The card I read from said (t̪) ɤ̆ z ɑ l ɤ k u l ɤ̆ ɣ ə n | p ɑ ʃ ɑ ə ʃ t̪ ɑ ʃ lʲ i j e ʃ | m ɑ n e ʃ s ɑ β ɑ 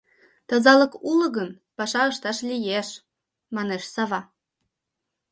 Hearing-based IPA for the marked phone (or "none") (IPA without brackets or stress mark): t̪